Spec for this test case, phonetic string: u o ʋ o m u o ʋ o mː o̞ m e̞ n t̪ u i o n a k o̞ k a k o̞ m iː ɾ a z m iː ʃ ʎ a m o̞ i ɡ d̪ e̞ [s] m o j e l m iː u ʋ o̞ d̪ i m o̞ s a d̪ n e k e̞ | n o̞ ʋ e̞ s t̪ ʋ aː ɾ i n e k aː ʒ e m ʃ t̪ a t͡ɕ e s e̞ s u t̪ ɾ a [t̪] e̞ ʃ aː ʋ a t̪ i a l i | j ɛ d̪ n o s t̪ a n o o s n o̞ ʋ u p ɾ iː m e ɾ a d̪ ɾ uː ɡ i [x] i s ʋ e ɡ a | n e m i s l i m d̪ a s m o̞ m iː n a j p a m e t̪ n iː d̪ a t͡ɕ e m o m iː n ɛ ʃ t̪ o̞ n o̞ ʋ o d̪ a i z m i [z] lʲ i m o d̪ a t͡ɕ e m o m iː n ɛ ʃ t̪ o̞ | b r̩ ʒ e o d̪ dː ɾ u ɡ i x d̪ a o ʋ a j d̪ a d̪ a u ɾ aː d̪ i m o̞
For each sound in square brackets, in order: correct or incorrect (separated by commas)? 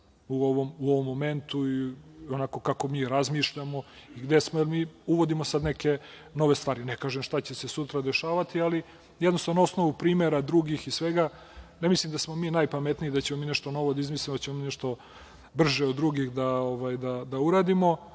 correct, incorrect, correct, incorrect